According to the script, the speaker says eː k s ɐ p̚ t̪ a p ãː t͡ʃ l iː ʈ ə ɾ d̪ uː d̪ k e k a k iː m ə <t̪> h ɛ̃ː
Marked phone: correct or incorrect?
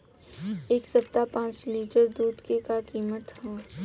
correct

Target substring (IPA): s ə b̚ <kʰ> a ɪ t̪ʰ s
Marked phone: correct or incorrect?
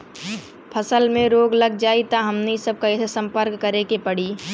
incorrect: k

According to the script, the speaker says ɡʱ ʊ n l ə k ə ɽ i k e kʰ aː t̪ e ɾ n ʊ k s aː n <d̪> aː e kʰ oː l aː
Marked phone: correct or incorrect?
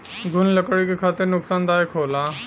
correct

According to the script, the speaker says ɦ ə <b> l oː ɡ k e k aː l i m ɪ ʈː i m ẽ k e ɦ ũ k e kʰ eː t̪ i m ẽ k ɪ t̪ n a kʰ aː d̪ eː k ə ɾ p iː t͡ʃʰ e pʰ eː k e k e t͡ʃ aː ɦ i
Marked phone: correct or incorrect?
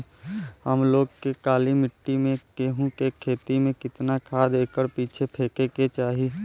incorrect: m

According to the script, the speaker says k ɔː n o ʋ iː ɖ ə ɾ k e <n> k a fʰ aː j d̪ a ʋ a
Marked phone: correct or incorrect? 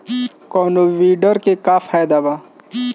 incorrect: none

